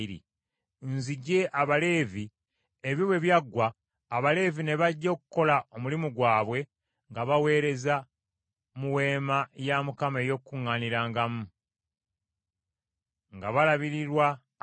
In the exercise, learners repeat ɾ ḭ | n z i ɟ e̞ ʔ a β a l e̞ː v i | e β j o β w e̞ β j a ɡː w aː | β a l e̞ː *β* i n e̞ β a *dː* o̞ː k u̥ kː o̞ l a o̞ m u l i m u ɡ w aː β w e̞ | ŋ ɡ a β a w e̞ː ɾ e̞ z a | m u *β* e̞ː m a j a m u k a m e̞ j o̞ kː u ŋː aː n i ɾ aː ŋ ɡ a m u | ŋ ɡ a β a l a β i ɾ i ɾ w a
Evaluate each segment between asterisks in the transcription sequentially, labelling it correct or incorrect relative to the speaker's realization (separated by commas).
incorrect, incorrect, incorrect